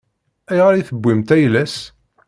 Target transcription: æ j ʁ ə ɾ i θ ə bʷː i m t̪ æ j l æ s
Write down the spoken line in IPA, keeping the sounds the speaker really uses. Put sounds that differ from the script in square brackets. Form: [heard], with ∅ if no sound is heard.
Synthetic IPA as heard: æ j ʁ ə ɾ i θ ə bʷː i m t̪ æ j l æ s